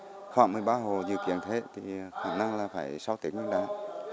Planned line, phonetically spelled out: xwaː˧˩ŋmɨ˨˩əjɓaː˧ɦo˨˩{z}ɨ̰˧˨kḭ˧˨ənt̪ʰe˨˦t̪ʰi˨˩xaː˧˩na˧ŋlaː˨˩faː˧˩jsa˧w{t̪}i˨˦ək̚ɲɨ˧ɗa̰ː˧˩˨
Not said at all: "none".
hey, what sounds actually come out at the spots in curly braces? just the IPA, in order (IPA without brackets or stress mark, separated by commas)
z, t̪